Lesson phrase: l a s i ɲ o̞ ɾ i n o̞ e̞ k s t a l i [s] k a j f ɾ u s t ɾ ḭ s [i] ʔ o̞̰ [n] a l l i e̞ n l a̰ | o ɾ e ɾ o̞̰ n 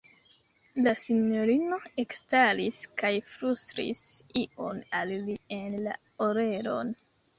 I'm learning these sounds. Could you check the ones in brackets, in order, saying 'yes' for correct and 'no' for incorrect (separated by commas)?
yes, yes, yes